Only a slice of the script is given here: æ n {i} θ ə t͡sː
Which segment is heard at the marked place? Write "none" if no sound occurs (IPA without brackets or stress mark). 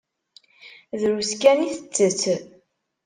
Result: i